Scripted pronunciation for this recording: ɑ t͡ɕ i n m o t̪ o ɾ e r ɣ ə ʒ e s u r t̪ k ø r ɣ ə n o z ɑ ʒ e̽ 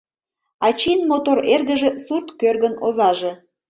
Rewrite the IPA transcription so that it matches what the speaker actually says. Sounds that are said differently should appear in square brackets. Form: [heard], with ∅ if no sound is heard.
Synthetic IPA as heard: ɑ t͡ɕ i n m o t̪ o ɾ e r ɣ ə ʒ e s u r t̪ k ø r ɣ ə n o z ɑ ʒ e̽